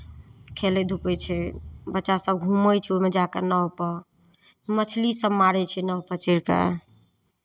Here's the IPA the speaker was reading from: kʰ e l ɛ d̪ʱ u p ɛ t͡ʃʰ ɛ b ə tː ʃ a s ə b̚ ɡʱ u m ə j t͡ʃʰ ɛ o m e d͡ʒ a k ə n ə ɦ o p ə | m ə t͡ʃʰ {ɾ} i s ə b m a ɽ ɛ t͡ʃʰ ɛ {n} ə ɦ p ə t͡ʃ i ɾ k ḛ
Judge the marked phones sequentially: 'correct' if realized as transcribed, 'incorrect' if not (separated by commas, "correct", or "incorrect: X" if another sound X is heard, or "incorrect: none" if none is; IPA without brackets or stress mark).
incorrect: l, correct